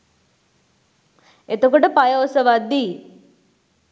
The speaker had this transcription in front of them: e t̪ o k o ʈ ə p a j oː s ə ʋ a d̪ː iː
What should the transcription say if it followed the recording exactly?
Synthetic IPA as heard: e t̪ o k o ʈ ə p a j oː s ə ʋ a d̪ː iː

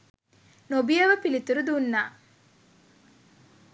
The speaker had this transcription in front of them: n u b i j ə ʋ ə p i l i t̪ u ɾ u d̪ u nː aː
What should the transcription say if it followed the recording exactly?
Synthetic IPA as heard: n o b i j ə ʋ ə p i l i t̪ u ɾ u d̪ u nː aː

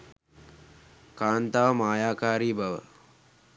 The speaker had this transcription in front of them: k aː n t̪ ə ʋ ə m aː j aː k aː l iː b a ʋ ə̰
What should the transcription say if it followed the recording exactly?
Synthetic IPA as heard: k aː n t̪ a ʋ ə m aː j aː k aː ɾ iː b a ʋ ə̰

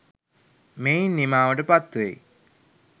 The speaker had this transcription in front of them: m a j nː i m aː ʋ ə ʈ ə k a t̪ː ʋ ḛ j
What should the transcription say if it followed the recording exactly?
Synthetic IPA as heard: m e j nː i m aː ʋ ə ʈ ə p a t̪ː ʋ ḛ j

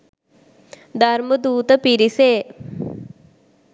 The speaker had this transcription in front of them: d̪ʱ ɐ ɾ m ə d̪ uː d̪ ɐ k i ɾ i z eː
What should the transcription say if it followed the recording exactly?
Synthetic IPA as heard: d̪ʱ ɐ ɾ m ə d̪ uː t̪ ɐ p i ɾ i s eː

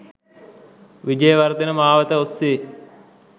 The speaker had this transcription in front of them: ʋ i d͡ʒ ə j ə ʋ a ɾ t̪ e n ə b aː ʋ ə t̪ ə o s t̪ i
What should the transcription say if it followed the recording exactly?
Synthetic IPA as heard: ʋ i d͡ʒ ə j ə ʋ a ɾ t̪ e n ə m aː ʋ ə t̪ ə o s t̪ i

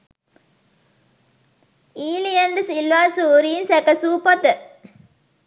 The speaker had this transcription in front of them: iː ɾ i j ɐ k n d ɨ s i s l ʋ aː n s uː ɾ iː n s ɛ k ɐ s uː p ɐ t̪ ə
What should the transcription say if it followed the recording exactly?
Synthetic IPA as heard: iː l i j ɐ n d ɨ s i l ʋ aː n s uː ɾ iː n s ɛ k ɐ s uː p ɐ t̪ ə

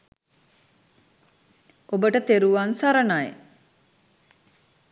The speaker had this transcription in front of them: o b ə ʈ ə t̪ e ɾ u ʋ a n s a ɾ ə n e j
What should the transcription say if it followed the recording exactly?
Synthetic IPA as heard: o b ə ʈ ə t̪ e ɾ u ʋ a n s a ɾ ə n a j

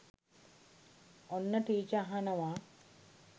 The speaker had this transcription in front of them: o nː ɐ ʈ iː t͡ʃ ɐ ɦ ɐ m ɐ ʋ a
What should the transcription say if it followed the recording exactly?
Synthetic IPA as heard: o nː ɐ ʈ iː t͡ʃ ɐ ɦ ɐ n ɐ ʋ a

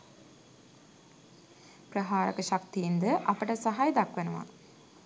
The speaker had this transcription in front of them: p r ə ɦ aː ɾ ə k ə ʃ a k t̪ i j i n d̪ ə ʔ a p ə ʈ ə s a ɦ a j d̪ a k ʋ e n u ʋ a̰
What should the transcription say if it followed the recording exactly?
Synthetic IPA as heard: p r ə ɦ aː ɾ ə k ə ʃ a k t̪ i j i n d̪ ə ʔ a p ə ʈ ə s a ɦ a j d̪ a k ʋ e n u ʋ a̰

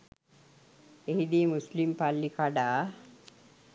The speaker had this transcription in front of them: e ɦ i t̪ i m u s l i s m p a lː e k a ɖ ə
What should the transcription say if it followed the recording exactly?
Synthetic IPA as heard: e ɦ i d̪ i m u s l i m p a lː i k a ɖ a

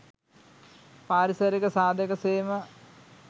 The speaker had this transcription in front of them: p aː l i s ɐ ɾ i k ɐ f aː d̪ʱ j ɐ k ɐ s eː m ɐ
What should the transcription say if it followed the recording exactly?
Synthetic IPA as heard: p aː ɾ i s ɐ ɾ i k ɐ s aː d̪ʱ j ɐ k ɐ s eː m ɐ

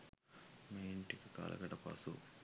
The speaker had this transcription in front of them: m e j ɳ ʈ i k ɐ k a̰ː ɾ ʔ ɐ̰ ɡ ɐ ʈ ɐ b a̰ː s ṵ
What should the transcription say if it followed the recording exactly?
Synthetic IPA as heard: m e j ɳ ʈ i k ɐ k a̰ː l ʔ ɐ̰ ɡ ɐ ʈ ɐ p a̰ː s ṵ

